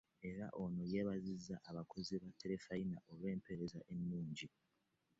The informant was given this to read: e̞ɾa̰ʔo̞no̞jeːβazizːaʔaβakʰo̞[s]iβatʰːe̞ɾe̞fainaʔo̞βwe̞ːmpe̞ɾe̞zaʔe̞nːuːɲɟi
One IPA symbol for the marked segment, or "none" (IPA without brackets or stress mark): z